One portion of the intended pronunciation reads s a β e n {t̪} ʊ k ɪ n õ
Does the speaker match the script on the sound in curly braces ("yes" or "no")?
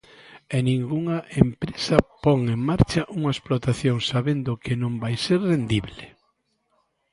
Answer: no